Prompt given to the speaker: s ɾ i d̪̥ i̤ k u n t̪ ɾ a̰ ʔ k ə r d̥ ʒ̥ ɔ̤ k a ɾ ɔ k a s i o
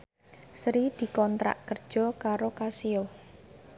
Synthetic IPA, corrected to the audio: s ɾ i d̪̥ i̤ k ɔ n t̪ ɾ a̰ ʔ k ə r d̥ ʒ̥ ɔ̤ k a ɾ o k a s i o